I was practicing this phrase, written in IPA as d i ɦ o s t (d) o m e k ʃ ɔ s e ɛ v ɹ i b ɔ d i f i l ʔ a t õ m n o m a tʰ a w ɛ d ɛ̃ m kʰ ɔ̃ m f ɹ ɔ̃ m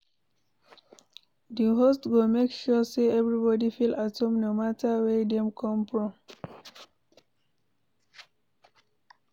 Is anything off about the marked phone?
yes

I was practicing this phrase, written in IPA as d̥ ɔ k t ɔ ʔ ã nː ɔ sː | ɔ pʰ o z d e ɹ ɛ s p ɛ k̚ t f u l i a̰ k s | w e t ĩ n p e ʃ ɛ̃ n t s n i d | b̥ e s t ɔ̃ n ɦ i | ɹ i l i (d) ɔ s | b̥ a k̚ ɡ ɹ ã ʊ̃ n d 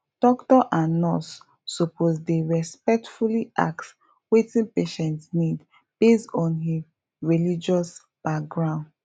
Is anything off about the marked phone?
yes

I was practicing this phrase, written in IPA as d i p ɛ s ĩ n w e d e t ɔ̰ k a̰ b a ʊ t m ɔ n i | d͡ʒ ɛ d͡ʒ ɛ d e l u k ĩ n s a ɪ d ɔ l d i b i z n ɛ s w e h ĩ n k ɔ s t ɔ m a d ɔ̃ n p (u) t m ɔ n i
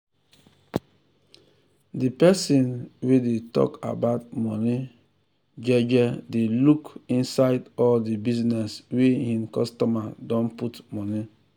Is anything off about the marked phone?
no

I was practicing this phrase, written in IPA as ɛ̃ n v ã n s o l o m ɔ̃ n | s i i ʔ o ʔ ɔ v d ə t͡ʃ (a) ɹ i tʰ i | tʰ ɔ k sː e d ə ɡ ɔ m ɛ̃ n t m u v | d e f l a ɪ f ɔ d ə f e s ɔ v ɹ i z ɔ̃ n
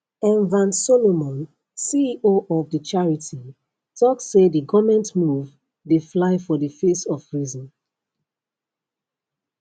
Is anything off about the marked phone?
no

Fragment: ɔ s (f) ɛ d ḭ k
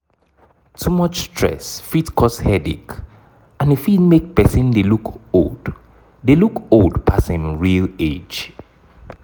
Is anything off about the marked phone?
yes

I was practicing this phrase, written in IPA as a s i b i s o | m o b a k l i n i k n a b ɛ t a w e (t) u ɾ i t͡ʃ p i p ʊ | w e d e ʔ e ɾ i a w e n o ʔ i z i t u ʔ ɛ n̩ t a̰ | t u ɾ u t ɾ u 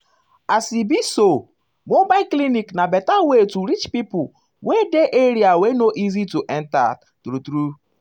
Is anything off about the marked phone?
no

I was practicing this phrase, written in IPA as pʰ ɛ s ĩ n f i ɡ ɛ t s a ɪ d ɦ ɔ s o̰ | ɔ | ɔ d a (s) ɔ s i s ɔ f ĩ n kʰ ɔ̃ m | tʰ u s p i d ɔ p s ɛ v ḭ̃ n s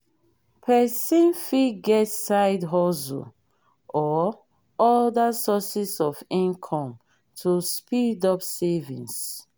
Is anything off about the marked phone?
no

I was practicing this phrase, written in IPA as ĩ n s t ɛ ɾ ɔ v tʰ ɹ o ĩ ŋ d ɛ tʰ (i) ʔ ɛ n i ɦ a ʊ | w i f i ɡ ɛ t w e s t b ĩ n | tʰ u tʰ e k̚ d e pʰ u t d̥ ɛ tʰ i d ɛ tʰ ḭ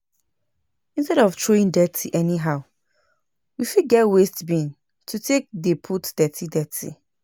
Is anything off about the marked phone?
no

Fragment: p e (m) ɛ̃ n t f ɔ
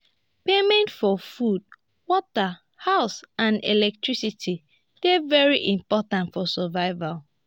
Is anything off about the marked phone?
no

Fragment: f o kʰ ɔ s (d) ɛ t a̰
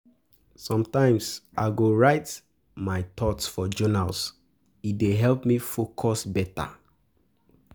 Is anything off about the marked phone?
yes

